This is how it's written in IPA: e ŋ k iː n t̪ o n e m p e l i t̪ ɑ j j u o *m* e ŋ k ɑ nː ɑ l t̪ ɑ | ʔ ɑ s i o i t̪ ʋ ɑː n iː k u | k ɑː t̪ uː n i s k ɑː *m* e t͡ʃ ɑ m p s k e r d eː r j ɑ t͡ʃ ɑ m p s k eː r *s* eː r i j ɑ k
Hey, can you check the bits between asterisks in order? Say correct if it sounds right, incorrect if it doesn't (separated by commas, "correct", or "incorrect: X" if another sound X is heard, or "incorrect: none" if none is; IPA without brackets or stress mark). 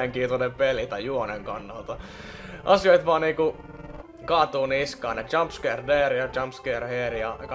incorrect: n, incorrect: n, incorrect: h